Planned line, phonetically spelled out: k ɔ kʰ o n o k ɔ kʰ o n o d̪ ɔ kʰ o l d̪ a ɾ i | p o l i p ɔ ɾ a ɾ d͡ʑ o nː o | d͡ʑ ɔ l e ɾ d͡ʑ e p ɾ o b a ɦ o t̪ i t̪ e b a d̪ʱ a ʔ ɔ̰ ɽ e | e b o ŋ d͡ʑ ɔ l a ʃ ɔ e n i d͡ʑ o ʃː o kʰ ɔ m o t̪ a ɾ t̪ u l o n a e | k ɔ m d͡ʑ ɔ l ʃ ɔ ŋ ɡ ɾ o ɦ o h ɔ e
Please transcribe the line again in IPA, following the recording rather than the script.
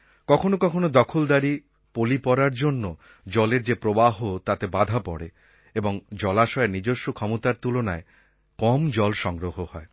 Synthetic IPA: k ɔ kʰ o n o k ɔ kʰ o n o d̪ ɔ kʰ o l d̪ a ɾ i | p o l i p ɔ ɾ a ɾ d͡ʑ o nː o | d͡ʑ ɔ l e ɾ d͡ʑ e p ɾ o b a ɦ o t̪ a t̪ e b a d̪ʱ a p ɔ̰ ɽ e | e b o ŋ d͡ʑ ɔ l a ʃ ɔ e n i d͡ʑ o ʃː o kʰ ɔ m o t̪ a ɾ t̪ u l o n a e | k ɔ m d͡ʑ ɔ l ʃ ɔ ŋ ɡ ɾ o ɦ o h ɔ e